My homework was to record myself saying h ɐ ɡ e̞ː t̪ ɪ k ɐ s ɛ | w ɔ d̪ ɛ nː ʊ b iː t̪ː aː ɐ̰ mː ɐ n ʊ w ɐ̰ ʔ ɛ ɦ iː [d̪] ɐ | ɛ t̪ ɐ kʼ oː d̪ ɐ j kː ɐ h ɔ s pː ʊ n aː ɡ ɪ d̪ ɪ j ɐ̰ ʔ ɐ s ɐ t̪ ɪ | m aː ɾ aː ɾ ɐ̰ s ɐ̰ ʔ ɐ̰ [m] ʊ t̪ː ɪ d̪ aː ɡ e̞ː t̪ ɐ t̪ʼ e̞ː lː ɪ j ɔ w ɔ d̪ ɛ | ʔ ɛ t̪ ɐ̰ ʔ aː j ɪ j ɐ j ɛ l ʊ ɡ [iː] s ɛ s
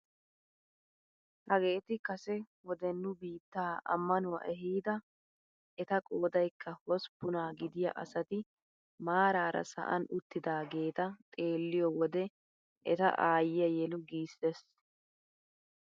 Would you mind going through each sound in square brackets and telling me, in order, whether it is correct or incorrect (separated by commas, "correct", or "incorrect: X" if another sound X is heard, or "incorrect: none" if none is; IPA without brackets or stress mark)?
correct, incorrect: n, correct